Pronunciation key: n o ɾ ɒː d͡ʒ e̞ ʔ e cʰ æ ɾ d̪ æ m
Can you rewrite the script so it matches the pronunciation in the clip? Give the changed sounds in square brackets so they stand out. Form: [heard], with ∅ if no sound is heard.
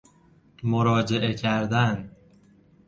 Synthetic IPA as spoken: [m] o ɾ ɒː d͡ʒ e̞ ʔ e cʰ æ ɾ d̪ æ [n]